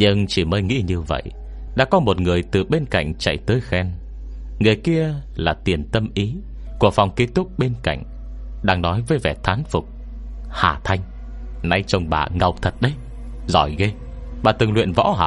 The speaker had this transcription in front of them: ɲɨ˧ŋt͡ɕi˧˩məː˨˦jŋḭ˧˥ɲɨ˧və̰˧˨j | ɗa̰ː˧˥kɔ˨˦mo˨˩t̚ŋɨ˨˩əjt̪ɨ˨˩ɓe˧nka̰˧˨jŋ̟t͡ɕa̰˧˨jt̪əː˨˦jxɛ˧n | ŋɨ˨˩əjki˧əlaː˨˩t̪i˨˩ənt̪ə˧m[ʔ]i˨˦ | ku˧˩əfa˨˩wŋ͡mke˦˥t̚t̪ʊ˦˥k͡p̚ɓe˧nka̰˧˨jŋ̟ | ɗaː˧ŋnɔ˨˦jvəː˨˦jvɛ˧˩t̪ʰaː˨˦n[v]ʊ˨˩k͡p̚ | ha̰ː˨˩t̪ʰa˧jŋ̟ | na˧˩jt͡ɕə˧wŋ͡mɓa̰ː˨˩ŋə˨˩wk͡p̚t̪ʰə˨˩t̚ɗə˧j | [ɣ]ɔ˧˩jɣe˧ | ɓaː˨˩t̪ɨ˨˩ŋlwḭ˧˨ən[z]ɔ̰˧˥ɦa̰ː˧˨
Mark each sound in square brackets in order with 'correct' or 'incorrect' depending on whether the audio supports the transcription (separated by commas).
correct, incorrect, incorrect, incorrect